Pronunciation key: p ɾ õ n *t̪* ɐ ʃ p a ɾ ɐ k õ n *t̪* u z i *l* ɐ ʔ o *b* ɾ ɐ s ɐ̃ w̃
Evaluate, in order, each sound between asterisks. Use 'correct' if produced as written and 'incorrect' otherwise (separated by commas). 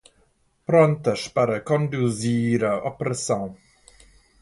correct, incorrect, incorrect, incorrect